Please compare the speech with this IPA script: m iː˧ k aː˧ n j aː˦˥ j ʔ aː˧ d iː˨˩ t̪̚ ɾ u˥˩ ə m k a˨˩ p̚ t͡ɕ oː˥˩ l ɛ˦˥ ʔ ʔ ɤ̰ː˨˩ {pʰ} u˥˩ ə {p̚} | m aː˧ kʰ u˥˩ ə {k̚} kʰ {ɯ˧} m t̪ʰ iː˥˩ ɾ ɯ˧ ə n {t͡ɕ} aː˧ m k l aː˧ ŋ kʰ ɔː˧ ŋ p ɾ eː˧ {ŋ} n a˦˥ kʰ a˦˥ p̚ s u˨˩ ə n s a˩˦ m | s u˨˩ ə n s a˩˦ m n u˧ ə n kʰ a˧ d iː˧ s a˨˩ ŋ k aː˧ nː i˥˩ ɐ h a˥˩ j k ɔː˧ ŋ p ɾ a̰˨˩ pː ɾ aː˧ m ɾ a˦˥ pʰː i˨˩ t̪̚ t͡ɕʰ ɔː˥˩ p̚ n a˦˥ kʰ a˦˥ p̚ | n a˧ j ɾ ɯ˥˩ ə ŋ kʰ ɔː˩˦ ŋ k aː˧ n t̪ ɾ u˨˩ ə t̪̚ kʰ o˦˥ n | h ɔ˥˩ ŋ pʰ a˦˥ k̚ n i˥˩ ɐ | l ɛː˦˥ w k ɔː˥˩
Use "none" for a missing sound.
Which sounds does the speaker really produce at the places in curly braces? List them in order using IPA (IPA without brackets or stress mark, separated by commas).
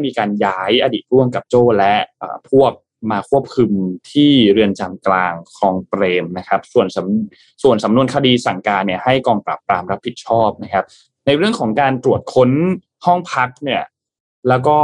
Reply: pʰ, p̚, p̚, ɯ˧, t͡ɕ, m